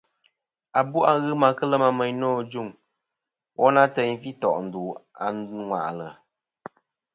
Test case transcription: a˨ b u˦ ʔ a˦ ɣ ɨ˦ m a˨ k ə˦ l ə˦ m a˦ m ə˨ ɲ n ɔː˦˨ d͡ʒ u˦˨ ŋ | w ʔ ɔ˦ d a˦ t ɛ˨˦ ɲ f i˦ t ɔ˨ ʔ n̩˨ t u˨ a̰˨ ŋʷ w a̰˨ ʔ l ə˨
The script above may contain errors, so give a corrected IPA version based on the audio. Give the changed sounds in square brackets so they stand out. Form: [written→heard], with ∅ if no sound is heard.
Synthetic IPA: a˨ b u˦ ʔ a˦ ɣ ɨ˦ m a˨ k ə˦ l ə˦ m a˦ m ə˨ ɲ n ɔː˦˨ d͡ʒ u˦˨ ŋ | w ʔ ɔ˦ [d→n] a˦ t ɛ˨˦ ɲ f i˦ t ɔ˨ ʔ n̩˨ [t→d] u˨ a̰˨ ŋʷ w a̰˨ ʔ l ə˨